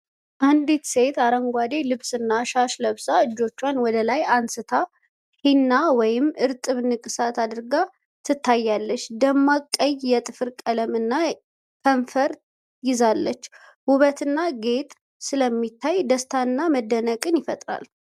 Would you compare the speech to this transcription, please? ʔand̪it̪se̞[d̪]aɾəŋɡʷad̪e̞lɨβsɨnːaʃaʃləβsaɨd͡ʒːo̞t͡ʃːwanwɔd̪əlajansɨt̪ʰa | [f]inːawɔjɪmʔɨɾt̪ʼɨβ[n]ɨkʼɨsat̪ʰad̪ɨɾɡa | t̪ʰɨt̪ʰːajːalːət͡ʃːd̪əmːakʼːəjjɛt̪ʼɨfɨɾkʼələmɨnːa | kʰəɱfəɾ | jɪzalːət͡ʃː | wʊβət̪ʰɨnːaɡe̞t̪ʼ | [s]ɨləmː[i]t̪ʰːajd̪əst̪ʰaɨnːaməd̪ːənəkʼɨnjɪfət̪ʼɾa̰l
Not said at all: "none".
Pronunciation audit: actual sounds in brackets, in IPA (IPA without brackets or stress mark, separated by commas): t̪, h, n, s, i